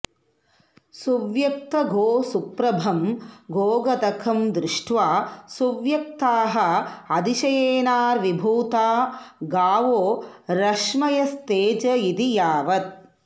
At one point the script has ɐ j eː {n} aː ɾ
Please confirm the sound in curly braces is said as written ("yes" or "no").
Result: yes